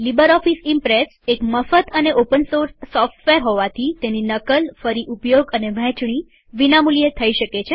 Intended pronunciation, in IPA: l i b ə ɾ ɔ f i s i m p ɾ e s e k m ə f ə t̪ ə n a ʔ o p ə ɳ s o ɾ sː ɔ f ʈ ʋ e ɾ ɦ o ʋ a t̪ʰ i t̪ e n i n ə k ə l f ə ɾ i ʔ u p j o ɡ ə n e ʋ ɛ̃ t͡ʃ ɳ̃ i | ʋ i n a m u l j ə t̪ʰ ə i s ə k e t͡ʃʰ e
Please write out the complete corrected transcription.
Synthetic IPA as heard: l i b ə ɾ ɔ f i s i m p ɾ e s e k m ə f ə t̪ ə n e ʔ o p ə n s o ɾ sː ɔ f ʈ ʋ e ɾ ɦ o ʋ a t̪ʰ i t̪ e n i n ə k ə l f ə ɾ i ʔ u p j o ɡ ə n e ʋ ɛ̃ t͡ʃ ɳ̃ i | ʋ i n a m u l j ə t̪ʰ ə i ʃ ə k e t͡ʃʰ e